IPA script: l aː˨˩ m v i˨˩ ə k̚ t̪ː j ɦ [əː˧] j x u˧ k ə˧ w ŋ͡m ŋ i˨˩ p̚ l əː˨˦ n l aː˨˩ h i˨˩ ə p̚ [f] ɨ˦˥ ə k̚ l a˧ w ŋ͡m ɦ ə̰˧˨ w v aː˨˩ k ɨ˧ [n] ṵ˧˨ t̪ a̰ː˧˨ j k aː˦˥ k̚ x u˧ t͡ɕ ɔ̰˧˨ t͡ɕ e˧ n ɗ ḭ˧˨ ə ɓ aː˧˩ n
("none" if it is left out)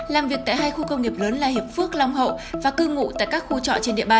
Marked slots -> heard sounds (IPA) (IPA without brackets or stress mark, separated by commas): aː˧, f, ŋ